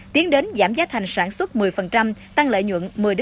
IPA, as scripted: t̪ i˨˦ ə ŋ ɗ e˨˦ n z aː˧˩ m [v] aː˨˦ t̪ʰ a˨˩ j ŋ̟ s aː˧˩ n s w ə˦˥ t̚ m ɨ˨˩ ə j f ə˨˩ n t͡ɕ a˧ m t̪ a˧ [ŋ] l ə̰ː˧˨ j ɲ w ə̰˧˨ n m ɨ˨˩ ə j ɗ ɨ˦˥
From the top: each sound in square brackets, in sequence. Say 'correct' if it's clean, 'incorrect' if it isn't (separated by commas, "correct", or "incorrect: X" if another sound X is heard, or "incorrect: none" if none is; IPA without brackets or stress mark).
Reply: incorrect: z, correct